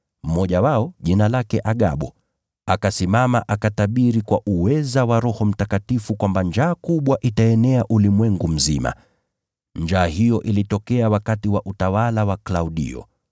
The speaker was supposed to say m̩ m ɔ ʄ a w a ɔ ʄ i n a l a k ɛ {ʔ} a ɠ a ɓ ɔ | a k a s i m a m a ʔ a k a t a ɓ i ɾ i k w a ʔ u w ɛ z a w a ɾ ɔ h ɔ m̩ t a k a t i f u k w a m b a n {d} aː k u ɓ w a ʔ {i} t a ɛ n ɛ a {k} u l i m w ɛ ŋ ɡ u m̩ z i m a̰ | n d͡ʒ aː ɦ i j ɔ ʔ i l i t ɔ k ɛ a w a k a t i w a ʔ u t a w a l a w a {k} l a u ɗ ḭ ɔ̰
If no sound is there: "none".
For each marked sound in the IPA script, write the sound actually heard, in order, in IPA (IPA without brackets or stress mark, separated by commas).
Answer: ʔ, d͡ʒ, i, ʔ, k